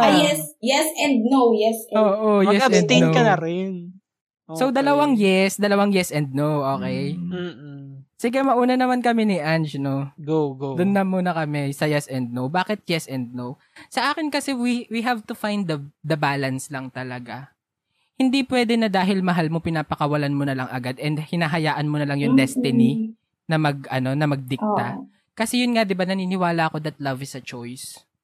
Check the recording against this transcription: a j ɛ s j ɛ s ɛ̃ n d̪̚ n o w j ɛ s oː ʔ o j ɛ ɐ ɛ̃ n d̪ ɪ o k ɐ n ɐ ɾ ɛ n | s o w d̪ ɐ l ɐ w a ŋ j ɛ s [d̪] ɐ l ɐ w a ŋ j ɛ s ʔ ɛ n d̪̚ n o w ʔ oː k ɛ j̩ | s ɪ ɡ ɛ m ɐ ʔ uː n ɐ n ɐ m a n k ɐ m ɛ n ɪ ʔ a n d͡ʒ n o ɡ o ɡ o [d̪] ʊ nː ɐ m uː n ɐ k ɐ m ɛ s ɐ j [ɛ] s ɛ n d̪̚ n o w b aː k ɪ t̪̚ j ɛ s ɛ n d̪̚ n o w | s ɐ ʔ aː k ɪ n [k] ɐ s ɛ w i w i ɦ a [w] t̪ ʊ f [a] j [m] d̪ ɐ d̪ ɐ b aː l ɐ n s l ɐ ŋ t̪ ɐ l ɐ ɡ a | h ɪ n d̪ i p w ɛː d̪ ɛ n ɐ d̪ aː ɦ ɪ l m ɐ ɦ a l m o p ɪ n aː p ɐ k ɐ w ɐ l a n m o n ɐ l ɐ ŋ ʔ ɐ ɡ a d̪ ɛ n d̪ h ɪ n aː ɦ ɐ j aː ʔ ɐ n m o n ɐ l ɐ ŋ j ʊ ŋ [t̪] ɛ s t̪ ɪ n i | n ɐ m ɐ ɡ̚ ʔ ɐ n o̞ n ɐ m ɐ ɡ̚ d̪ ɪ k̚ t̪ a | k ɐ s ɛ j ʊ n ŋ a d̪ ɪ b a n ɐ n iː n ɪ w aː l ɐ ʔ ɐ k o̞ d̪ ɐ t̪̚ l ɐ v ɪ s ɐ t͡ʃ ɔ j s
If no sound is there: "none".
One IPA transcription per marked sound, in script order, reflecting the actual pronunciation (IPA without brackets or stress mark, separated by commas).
d̪, d̪, ɛ, k, v, a, n, d̪